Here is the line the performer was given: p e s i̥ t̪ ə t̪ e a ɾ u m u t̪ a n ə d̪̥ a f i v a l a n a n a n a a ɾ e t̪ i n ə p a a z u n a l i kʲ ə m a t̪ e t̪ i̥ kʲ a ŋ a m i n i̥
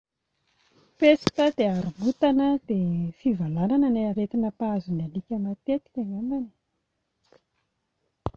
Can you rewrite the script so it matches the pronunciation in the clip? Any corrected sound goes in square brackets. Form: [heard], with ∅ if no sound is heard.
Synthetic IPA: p e s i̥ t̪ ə [d̪] e a ɾ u m u t̪ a n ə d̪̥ [e] f i v a l a n a n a n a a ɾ e t̪ i n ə p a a z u n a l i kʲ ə m a t̪ e t̪ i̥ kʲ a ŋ a m [a] n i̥